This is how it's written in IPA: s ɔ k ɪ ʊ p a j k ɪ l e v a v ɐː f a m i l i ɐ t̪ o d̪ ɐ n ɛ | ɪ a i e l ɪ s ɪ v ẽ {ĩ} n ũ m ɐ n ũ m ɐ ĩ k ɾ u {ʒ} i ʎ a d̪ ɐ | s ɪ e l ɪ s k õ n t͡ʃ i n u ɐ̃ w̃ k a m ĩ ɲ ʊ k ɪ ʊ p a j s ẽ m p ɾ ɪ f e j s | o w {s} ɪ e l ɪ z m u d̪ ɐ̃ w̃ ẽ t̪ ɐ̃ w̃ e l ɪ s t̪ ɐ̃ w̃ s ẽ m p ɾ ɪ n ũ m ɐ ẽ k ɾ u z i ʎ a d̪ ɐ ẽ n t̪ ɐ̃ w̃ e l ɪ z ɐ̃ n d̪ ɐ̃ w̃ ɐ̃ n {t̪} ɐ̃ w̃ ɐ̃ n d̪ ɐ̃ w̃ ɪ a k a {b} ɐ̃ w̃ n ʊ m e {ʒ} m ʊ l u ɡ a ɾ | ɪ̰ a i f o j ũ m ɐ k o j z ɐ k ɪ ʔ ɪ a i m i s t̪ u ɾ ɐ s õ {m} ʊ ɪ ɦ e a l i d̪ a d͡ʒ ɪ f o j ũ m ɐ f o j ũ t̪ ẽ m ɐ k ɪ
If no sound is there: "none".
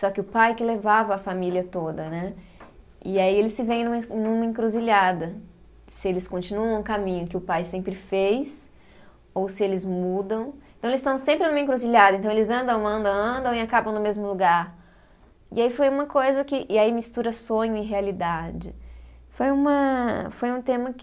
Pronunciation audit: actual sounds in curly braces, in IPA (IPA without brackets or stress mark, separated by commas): j̃, z, s, d̪, b, z, ɲ